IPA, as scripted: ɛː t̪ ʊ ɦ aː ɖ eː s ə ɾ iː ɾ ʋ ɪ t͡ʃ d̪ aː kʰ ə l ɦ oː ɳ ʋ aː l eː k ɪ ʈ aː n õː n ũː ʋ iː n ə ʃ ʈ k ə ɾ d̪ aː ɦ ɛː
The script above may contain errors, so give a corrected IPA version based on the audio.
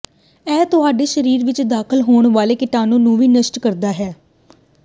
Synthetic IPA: ɛː t̪ ʊ ɦ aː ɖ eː ʃ ə ɾ iː ɾ ʋ ɪ t͡ʃ d̪ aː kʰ ə l ɦ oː ɳ ʋ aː l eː k ɪ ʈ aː n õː n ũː ʋ iː n ə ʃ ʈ k ə ɾ d̪ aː ɦ ɛː

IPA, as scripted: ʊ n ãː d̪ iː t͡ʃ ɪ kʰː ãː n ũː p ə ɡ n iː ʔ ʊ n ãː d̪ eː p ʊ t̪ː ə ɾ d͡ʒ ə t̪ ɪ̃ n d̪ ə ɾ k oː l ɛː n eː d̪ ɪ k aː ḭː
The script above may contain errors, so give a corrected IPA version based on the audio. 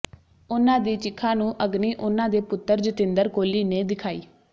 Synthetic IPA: ʊ n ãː d̪ iː t͡ʃ ɪ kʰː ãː n ũː ʔ ə ɡ n iː ʔ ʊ n ãː d̪ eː p ʊ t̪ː ə ɾ d͡ʒ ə t̪ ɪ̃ n d̪ ə ɾ k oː l iː n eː d̪ ɪ kʰ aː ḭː

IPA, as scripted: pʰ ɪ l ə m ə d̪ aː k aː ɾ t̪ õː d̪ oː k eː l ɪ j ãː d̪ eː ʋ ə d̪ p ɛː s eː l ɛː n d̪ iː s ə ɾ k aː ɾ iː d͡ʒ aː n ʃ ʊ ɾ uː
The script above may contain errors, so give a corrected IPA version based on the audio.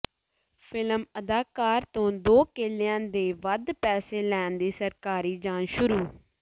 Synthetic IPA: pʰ ɪ l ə m ə d̪ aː k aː ɾ t̪ õː d̪ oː k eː l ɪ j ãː d̪ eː ʋ ə d̪ p ɛː s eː l ɛː n d̪ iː s ə ɾ k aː ɾ iː d͡ʒ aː n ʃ ʊ ɾ uː

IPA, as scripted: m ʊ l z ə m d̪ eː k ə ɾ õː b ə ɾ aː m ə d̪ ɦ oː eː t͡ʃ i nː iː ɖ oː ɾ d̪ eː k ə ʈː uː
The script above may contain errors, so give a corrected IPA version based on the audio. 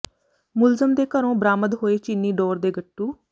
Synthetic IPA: m ʊ l z ə m d̪ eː k ə ɾ õː b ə ɾ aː m ə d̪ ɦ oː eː t͡ʃ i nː iː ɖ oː ɾ d̪ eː ɡ ə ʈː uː

